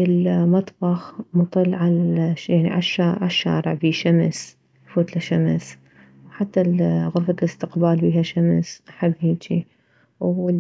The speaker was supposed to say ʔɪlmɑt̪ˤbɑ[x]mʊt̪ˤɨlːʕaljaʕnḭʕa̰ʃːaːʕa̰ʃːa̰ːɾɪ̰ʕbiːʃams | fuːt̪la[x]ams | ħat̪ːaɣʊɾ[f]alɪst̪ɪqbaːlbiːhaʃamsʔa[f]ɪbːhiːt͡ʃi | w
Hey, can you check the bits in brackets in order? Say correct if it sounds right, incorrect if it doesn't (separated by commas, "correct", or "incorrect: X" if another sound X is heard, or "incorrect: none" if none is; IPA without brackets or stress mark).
correct, incorrect: ʃ, correct, incorrect: ħ